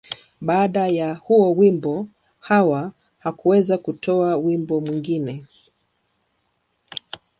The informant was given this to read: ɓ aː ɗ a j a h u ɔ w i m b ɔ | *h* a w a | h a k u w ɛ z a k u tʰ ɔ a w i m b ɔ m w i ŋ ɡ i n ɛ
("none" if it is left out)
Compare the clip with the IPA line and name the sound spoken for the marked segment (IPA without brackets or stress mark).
h